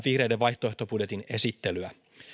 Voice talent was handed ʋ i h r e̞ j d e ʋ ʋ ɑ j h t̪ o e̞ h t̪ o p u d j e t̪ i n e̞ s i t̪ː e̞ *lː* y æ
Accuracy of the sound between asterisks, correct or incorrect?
incorrect: l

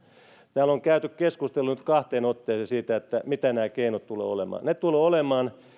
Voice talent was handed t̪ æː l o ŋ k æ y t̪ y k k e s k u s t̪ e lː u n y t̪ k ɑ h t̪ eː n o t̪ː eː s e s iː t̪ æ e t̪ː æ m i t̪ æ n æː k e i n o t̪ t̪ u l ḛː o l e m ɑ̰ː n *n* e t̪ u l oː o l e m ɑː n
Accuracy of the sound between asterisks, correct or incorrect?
correct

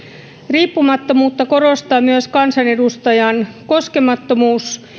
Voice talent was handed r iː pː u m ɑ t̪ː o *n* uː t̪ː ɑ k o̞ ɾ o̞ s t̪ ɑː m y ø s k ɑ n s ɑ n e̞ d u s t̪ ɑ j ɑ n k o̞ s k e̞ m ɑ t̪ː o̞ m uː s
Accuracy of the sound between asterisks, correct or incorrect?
incorrect: m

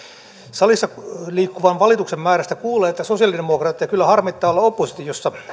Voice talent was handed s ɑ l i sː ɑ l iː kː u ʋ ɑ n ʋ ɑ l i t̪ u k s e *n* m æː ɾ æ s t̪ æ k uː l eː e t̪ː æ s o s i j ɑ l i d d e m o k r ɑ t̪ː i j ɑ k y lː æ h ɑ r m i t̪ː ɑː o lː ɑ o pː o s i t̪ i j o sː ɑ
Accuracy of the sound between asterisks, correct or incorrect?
incorrect: m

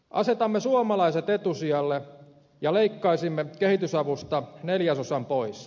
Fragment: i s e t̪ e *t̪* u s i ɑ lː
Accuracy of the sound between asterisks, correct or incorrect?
correct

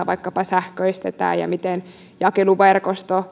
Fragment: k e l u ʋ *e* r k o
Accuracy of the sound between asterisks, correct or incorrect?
correct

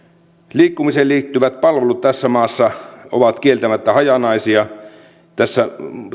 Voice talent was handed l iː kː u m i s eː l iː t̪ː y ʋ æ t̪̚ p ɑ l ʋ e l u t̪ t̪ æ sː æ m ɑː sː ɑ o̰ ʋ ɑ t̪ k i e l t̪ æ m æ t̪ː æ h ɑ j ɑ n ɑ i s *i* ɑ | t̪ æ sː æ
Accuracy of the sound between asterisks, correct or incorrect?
correct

